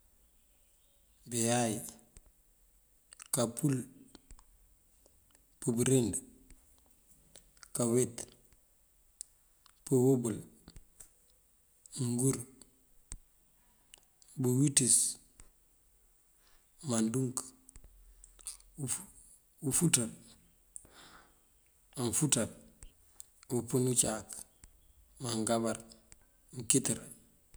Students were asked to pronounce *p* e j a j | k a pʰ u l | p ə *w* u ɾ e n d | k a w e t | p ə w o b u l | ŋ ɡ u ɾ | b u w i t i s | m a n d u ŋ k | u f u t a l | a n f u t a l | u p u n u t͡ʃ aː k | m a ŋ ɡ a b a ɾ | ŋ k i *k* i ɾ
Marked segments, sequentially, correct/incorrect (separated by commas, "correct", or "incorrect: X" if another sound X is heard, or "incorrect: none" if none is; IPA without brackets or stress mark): incorrect: b, incorrect: b, incorrect: t